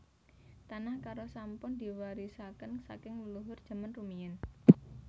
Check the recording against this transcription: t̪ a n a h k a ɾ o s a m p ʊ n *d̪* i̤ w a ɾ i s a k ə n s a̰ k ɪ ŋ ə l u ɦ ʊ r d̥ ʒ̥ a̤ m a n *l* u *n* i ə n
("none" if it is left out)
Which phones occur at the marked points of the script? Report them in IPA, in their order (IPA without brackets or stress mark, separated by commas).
d̪, r, m